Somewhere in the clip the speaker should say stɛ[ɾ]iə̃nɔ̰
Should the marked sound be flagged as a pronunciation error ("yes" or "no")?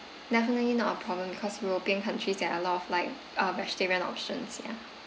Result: yes